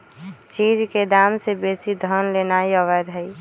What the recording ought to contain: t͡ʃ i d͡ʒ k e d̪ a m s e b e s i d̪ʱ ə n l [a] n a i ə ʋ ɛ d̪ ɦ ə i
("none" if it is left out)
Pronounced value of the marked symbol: e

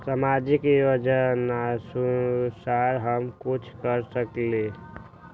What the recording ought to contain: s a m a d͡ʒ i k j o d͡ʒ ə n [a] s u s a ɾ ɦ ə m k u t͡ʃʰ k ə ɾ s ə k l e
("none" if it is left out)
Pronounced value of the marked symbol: a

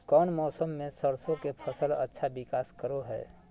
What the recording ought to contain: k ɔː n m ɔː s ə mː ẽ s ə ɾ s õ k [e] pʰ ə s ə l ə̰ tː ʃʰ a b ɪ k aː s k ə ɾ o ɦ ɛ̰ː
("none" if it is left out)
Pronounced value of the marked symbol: e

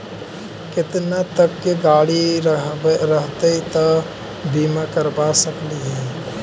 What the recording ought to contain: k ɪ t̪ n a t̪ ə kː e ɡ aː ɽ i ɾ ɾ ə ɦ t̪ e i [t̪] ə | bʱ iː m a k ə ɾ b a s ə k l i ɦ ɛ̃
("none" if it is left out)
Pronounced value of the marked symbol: t̪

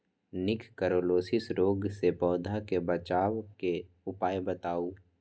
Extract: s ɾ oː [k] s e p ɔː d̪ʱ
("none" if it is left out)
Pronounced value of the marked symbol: ɡ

